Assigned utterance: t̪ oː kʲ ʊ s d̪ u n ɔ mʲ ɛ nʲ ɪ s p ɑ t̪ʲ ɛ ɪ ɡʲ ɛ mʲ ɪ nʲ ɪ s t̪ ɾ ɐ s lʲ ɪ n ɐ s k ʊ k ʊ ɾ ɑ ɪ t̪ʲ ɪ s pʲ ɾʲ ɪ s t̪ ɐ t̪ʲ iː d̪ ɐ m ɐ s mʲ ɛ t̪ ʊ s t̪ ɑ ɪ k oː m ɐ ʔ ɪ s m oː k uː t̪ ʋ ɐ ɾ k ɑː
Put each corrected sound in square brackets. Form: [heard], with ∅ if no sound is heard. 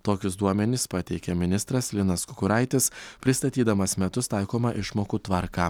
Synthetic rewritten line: t̪ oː kʲ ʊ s d̪ u [∅] ɔ mʲ ɛ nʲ ɪ s p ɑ t̪ʲ ɛ ɪ [kʲ] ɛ mʲ ɪ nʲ ɪ s t̪ ɾ ɐ s lʲ ɪ n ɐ s k ʊ k ʊ ɾ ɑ ɪ t̪ʲ ɪ s pʲ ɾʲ ɪ s t̪ ɐ t̪ʲ iː d̪ ɐ m ɐ s mʲ ɛ t̪ ʊ s t̪ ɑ ɪ k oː m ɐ ʔ ɪ [ʃ] m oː k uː t̪ ʋ ɐ ɾ k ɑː